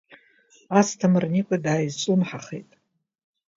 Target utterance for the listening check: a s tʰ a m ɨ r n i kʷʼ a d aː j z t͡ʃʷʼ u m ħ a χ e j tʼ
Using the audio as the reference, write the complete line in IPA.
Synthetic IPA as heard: a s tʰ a m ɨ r n i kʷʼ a d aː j z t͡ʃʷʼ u m ħ a χ e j tʼ